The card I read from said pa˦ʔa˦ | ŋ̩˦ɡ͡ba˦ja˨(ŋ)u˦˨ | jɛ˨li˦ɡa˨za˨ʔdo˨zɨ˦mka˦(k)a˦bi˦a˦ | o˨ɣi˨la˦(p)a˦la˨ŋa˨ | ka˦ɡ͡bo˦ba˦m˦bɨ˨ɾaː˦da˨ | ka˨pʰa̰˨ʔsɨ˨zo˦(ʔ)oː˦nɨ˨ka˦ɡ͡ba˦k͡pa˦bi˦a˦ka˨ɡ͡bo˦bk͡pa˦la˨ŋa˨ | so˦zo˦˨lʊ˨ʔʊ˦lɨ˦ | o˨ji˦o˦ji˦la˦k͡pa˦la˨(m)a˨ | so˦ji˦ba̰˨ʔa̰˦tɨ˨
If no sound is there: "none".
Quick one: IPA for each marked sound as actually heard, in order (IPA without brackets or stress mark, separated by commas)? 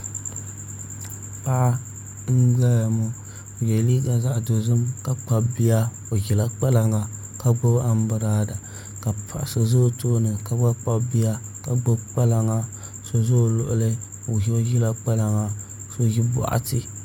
m, k͡p, k͡p, t, ŋ